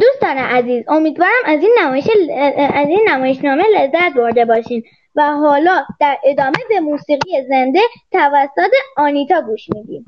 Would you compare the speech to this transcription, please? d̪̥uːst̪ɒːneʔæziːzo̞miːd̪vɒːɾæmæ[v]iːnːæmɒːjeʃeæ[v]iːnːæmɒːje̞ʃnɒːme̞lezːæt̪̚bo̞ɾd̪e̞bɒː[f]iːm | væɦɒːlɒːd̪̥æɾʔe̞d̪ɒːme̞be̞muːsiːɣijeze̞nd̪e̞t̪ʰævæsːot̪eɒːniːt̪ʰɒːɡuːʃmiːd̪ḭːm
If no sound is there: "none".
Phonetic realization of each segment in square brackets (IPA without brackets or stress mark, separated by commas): z, z, ʃ